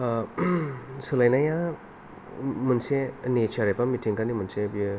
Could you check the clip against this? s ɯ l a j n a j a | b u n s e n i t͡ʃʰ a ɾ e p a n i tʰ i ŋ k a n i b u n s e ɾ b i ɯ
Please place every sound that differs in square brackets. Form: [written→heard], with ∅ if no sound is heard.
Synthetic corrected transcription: s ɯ l a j n a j a | [b→m] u n s e n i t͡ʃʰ a ɾ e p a [n→m] i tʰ i ŋ k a n i [b→m] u n s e [ɾ→∅] b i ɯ